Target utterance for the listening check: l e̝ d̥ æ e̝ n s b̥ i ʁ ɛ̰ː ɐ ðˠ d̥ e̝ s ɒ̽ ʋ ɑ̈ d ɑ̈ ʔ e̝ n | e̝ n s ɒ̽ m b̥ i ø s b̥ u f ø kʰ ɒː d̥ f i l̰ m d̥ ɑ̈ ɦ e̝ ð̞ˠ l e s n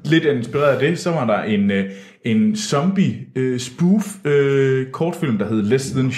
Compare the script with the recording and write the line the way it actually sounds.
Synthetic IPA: l e̝ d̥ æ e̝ n s b̥ i ʁ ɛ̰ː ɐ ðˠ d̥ e̝ s ɒ̽ ʋ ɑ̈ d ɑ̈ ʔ e̝ n | e̝ n s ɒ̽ m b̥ i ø s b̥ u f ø kʰ ɒː d̥ f i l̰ m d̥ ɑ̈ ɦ e̝ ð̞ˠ l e s n